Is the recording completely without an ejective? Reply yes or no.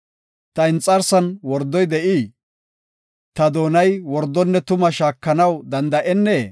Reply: no